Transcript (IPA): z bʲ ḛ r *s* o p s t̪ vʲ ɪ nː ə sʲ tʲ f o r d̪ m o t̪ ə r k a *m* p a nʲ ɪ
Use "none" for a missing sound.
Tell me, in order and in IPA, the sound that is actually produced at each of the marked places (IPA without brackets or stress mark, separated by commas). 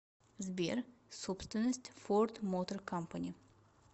s, m